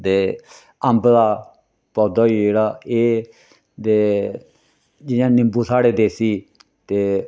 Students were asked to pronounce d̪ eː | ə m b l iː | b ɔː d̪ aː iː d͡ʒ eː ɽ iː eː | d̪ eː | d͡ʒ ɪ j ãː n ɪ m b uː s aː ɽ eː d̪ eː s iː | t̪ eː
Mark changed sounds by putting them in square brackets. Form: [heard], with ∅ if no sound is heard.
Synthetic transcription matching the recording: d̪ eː | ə m b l [aː] | [p] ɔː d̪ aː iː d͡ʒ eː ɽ [aː] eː | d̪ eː | d͡ʒ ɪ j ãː n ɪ m b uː s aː ɽ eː d̪ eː s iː | t̪ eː